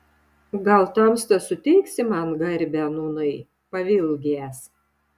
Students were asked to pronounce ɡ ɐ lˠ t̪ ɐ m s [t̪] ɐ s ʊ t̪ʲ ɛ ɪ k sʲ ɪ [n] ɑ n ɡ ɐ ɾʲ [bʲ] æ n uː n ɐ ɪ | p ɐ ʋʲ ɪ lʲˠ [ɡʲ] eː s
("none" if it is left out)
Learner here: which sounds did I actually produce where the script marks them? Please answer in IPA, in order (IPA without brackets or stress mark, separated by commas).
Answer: t̪, m, bʲ, ɡʲ